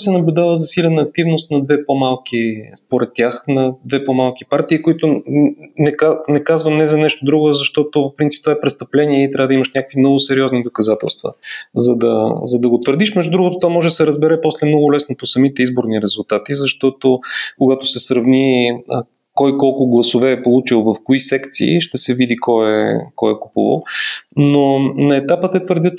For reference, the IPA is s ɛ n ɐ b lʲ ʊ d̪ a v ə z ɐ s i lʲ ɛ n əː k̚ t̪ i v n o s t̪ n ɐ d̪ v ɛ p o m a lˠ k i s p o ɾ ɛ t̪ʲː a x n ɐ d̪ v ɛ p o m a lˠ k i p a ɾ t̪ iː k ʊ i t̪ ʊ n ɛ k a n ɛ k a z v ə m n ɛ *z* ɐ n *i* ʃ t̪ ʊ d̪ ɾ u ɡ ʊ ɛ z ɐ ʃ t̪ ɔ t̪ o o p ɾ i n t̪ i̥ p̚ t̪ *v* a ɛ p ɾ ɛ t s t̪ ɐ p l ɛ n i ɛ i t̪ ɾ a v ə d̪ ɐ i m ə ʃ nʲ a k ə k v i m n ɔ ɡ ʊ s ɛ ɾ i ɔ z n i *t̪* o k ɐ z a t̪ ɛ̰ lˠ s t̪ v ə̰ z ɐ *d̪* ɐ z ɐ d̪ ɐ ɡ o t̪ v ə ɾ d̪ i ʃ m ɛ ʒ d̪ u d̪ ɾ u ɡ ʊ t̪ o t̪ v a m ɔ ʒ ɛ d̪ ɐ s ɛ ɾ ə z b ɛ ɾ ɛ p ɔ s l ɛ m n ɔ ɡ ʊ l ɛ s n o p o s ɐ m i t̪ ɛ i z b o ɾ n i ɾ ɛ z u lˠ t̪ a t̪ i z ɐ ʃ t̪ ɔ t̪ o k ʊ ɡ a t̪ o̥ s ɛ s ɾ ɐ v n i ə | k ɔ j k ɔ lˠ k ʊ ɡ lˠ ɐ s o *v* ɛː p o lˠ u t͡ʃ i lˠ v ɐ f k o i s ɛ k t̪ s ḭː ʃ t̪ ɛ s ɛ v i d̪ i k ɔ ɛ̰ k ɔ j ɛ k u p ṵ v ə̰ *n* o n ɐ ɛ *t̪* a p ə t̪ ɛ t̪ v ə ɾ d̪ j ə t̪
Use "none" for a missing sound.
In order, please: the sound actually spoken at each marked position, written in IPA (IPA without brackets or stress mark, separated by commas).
z, ɛ, v, d̪, d̪, v, n, t̪